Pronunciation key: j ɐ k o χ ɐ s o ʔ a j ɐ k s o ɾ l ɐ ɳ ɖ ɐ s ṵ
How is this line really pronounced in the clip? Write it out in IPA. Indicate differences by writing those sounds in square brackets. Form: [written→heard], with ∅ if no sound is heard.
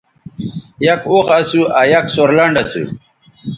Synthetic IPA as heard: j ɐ k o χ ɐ s [o→u] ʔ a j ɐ k s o ɾ l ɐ ɳ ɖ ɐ s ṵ

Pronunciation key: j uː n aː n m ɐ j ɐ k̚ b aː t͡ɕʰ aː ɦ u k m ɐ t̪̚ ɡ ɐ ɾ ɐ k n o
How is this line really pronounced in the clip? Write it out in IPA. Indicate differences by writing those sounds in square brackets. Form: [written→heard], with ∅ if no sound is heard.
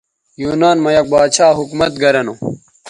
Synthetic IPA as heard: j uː n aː n m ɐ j ɐ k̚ b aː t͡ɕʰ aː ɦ u k m ɐ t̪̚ ɡ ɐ ɾ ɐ [k→∅] n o

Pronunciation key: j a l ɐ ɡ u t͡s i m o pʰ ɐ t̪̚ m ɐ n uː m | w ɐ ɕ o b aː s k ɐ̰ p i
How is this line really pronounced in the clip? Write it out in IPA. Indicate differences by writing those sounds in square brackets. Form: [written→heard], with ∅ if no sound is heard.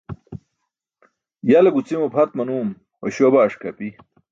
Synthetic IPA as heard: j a l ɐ ɡ u t͡s i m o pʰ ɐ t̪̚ m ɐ n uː m | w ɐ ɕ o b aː [s→ʂ] k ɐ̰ p i

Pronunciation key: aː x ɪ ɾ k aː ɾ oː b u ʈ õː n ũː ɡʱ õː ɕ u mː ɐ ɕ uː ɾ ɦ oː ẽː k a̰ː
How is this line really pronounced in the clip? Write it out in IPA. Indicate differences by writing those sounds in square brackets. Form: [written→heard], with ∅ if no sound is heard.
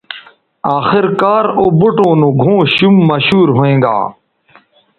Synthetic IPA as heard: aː x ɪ ɾ k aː ɾ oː b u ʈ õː n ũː ɡʱ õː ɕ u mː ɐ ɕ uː ɾ ɦ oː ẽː [k→ɡ] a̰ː

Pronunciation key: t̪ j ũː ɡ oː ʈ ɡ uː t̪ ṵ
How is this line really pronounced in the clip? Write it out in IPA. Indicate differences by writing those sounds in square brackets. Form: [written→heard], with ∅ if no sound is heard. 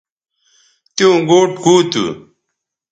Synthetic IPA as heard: t̪ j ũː ɡ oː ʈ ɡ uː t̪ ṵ

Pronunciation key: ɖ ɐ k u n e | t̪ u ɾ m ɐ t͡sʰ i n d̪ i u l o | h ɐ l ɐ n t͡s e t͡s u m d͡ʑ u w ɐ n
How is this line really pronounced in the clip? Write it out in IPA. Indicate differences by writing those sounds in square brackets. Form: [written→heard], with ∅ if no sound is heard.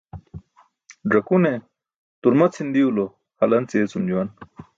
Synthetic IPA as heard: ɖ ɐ k u n e | t̪ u ɾ m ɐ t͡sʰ i n d̪ i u l o | h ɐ l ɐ n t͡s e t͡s u m d͡ʑ u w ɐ n

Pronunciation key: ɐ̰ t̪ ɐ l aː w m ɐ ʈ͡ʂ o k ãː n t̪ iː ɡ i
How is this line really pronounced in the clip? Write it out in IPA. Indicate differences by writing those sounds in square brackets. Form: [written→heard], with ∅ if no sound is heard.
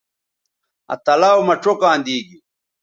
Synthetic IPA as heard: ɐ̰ t̪ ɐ l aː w m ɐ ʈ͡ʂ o k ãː n [t̪→d̪] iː ɡ i

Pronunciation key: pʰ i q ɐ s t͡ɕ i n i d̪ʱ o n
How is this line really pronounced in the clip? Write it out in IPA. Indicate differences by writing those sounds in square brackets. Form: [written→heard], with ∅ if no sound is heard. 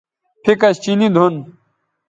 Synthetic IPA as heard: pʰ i [q→k] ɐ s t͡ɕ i n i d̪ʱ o n

